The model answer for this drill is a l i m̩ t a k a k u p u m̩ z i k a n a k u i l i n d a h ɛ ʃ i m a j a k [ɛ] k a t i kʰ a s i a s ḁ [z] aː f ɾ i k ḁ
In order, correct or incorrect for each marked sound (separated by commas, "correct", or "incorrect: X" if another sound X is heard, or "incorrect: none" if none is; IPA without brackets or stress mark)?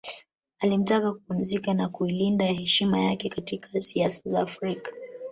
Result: correct, correct